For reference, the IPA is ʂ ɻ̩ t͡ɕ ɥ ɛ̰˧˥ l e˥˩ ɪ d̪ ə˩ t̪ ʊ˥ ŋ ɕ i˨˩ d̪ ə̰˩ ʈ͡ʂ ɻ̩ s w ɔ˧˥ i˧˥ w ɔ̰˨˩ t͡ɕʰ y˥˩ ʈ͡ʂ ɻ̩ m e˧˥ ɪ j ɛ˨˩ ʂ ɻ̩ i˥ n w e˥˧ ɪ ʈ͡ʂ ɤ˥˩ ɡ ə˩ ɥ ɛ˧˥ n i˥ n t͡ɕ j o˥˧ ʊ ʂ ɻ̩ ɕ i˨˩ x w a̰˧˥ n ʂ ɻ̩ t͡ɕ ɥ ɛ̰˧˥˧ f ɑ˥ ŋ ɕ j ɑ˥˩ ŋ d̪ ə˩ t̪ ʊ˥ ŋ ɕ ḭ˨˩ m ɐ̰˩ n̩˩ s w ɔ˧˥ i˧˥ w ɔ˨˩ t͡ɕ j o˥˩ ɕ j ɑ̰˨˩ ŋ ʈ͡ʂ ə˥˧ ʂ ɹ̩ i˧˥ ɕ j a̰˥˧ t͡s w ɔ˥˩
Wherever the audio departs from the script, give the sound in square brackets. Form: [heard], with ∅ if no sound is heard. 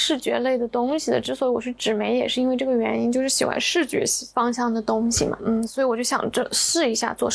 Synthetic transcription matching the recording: ʂ ɻ̩ t͡ɕ ɥ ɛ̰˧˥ l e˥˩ ɪ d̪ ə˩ t̪ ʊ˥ ŋ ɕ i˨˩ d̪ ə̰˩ ʈ͡ʂ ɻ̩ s w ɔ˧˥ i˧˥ w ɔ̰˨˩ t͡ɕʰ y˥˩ ʈ͡ʂ ɻ̩ m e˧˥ ɪ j ɛ˨˩ ʂ ɻ̩ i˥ n w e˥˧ ɪ ʈ͡ʂ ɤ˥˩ ɡ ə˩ ɥ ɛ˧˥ n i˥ n t͡ɕ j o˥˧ ʊ ʂ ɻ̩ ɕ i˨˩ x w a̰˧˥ n ʂ ɻ̩ t͡ɕ ɥ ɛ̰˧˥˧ f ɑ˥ ŋ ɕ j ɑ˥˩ ŋ d̪ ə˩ t̪ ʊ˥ ŋ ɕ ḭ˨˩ m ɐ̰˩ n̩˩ s w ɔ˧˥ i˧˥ w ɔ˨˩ t͡ɕ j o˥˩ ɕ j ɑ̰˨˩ ŋ ʈ͡ʂ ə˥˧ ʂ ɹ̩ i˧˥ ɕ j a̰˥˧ t͡s w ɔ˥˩